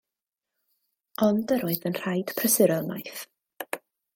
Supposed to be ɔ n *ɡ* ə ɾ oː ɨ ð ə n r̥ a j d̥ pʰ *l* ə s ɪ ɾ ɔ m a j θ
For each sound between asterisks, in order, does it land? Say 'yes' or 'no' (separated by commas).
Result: no, no